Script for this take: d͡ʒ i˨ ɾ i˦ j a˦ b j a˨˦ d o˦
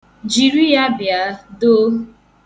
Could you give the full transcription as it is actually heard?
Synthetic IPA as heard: d͡ʒ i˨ ɾ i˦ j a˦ b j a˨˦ d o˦